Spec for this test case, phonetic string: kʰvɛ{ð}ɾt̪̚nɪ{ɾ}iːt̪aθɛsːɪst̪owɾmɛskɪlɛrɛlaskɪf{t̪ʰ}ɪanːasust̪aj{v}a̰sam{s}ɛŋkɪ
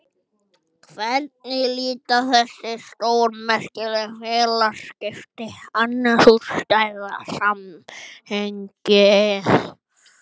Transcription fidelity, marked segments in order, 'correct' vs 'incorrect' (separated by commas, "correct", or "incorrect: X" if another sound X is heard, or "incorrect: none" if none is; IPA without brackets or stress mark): incorrect: none, incorrect: l, incorrect: t̪, incorrect: ð, incorrect: h